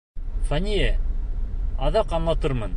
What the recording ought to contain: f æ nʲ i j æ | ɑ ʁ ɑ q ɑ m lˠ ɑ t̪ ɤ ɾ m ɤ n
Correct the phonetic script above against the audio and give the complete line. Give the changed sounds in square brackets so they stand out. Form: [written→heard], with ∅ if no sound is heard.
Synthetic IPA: f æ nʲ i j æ | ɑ [ʁ→ð] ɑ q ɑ m lˠ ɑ t̪ ɤ ɾ m ɤ n